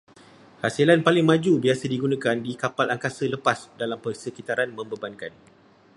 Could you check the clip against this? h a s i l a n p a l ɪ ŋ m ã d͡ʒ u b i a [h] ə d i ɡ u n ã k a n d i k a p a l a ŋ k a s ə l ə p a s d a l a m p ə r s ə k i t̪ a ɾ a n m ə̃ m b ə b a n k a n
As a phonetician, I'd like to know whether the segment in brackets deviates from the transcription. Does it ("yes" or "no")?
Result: yes